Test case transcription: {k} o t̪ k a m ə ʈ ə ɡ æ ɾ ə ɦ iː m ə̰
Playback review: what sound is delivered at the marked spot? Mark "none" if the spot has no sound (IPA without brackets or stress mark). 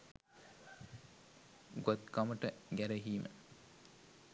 ɡ